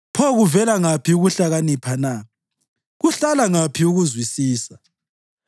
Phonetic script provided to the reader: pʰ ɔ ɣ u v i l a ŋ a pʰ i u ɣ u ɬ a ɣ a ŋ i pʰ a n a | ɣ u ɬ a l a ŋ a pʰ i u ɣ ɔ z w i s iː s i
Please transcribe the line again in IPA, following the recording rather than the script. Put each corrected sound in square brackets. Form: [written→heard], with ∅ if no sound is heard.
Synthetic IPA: pʰ ɔ ɣ u v [i→ɛ] l a ŋ a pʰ i u ɣ u ɬ a ɣ a [ŋ→n] i pʰ a n a | ɣ u ɬ a l a ŋ a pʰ i u ɣ [ɔ→u] z w i s iː s [i→a]